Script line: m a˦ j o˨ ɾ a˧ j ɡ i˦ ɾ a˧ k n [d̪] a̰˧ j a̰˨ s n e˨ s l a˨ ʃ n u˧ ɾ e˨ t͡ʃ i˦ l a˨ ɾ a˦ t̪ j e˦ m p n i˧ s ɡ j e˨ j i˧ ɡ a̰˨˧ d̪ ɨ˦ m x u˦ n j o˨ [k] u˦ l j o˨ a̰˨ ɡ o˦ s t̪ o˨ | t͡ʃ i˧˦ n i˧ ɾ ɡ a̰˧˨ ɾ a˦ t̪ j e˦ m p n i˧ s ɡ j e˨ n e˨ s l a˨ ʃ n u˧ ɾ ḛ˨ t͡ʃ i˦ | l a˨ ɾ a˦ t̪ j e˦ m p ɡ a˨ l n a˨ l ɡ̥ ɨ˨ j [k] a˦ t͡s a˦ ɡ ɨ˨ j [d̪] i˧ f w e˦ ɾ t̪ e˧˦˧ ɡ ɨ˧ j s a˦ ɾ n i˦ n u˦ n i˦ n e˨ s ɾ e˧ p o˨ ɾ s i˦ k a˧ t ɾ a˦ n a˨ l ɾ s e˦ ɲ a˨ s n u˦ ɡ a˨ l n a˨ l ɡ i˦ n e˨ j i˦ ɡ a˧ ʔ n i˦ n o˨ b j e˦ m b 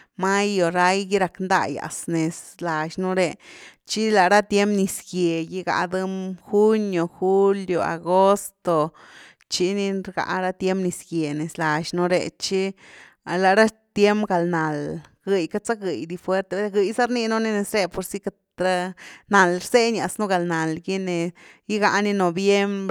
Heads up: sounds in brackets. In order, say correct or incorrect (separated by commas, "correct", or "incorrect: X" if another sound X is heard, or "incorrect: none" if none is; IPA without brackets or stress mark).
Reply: correct, incorrect: x, correct, correct